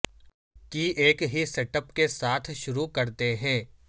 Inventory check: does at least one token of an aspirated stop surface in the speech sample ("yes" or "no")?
yes